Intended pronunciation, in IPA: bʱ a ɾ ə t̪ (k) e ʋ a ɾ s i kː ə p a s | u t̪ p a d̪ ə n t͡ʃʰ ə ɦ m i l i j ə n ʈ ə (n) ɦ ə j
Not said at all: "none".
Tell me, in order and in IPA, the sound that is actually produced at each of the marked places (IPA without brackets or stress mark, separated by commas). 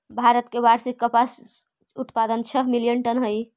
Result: k, n